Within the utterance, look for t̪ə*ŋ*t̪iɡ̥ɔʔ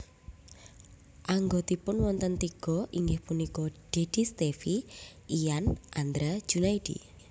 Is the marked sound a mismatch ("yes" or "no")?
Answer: yes